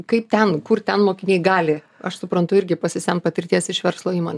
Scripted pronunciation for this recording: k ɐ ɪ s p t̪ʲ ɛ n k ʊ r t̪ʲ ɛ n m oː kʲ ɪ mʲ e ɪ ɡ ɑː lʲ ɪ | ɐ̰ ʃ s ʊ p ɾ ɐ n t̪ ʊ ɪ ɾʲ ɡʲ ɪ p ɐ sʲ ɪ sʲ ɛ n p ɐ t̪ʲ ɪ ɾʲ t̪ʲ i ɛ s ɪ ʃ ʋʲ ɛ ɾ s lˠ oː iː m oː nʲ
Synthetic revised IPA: k ɐ ɪ p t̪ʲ ɛ n k ʊ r t̪ʲ ɛ n m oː kʲ ɪ nʲ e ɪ ɡ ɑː lʲ ɪ | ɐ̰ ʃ s ʊ p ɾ ɐ n t̪ ʊ ɪ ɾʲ ɡʲ ɪ p ɐ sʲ ɪ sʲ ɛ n p ɐ t̪ʲ ɪ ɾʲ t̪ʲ i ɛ s ɪ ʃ ʋʲ ɛ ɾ s lˠ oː iː m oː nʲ